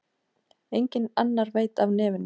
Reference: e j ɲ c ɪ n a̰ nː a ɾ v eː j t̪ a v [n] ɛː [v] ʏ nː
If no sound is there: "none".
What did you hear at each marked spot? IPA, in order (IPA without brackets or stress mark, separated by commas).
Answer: n, v